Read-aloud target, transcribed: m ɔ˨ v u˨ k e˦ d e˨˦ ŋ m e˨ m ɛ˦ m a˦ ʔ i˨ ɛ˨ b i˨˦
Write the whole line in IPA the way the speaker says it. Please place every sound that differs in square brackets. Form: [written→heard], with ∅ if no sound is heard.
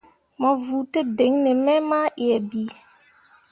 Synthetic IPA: m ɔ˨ v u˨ [k→t] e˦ d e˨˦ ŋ [m→n] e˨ m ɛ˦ m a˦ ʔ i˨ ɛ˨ b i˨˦

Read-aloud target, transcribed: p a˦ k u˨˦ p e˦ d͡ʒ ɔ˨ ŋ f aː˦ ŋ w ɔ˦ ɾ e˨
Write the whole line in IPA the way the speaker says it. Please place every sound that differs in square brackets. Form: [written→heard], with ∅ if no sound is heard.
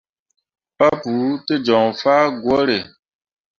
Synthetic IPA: p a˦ [k→p] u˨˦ [p→t] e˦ d͡ʒ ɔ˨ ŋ f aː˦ [ŋ→ɡ] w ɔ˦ ɾ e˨

